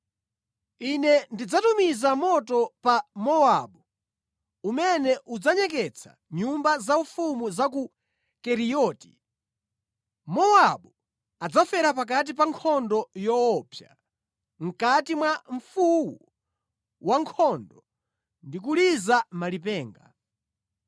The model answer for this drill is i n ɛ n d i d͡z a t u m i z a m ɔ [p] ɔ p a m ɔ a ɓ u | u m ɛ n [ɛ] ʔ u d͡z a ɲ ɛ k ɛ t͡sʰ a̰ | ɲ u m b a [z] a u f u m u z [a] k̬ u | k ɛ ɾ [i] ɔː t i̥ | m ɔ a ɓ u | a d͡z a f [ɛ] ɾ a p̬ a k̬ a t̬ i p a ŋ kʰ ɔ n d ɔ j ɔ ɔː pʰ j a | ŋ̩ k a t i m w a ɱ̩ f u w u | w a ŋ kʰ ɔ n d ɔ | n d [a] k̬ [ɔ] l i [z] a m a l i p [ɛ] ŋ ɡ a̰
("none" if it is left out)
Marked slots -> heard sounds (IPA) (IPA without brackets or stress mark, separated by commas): t, ɛ, z, a, i, ɛ, i, u, z, ɛː